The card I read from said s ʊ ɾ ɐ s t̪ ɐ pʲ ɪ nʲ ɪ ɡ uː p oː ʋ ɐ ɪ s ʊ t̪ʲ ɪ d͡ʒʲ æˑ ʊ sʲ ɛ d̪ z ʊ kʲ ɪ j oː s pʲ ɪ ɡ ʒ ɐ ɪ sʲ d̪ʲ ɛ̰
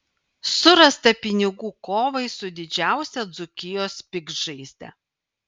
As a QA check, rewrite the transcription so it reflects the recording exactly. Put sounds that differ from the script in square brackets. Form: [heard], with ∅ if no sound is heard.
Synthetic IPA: s ʊ ɾ ɐ s t̪ ɐ pʲ ɪ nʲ ɪ ɡ uː [k] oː ʋ ɐ ɪ s ʊ [d̪ʲ] ɪ d͡ʒʲ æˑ ʊ sʲ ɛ d̪ z ʊ kʲ ɪ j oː s pʲ ɪ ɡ ʒ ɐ ɪ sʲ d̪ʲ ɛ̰